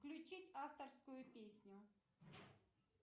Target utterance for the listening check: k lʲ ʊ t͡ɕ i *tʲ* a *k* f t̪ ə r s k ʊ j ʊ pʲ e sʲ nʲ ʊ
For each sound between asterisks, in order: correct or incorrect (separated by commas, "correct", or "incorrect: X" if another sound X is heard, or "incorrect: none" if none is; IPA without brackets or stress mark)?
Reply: correct, incorrect: none